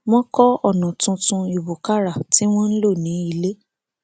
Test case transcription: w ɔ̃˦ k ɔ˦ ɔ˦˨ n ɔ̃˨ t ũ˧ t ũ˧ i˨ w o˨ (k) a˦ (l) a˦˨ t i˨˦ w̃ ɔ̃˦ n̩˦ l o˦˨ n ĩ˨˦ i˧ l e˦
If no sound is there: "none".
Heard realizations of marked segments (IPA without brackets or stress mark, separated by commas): k, ɾ